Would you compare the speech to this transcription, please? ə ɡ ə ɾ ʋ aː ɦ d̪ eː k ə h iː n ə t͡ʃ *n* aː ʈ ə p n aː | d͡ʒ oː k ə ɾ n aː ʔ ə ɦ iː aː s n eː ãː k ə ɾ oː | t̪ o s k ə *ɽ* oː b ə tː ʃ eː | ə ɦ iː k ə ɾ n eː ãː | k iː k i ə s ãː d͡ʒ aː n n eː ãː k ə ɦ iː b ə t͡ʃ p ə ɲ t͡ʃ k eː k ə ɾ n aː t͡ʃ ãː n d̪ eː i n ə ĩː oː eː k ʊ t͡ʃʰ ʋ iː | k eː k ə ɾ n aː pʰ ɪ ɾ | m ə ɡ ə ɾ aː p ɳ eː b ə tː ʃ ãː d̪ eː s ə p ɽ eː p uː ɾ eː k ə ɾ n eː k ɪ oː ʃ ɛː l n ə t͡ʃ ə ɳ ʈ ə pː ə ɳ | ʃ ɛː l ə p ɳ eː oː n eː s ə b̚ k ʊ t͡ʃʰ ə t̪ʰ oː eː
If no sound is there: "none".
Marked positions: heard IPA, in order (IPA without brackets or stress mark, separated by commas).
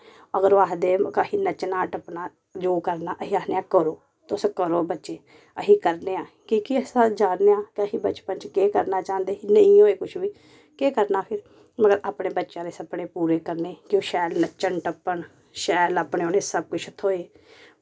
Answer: n, ɾ